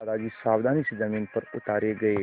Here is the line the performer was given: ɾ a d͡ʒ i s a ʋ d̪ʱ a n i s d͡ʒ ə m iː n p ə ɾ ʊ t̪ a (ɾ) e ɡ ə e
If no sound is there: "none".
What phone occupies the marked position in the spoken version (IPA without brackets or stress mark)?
ɾ